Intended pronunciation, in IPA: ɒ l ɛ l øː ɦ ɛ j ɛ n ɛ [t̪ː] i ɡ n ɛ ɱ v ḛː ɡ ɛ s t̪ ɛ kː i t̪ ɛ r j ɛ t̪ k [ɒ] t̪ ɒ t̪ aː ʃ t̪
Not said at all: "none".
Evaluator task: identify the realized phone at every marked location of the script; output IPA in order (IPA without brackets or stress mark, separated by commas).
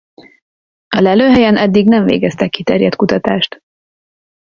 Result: d̪ː, u